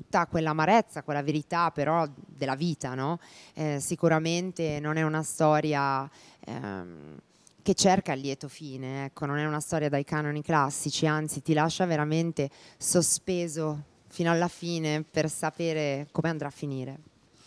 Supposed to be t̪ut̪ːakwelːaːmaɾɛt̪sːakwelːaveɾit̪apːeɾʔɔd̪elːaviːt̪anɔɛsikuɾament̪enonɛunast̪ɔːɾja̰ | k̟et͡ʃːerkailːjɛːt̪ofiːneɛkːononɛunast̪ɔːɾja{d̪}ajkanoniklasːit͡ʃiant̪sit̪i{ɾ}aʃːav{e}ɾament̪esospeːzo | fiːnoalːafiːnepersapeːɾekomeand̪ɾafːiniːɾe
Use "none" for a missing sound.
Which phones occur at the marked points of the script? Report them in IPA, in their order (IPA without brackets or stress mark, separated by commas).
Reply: d̪, l, e